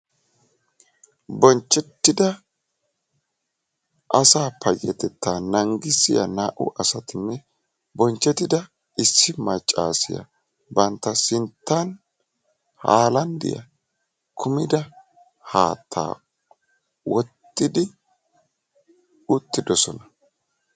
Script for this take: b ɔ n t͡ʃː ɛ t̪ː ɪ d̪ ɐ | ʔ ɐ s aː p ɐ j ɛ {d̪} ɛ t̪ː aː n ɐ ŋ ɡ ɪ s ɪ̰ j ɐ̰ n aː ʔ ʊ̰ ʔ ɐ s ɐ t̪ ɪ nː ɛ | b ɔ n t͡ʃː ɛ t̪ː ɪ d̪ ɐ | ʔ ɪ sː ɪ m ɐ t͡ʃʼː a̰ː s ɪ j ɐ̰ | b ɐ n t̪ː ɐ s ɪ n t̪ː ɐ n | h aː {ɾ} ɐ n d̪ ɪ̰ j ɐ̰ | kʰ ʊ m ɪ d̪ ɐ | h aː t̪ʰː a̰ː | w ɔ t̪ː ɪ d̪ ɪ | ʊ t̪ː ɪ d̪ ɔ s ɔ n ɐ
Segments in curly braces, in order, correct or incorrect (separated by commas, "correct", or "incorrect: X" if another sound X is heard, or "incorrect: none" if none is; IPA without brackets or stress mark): incorrect: t̪, incorrect: l